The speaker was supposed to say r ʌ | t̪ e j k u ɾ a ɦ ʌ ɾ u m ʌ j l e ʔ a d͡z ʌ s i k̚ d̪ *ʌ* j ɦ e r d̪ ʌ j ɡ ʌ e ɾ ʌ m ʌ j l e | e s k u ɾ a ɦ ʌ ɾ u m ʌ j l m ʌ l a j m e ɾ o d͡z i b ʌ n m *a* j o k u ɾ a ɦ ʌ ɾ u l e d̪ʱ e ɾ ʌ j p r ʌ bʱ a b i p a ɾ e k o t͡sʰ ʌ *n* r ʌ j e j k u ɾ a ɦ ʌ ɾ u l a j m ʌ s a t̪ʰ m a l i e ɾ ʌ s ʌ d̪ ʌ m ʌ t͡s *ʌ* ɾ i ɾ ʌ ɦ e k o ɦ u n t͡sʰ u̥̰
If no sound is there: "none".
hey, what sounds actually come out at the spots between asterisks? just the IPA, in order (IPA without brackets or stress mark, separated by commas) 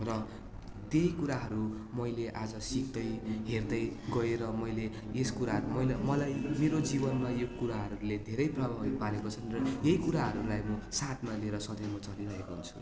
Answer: ʌ, a, n, ʌ